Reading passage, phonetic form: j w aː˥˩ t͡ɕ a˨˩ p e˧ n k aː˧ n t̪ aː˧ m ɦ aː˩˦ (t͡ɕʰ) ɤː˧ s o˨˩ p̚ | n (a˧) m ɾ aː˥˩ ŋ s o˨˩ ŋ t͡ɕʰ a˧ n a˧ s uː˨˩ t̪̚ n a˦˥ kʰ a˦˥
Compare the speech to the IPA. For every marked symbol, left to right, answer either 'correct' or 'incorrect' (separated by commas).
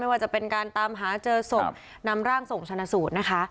incorrect, incorrect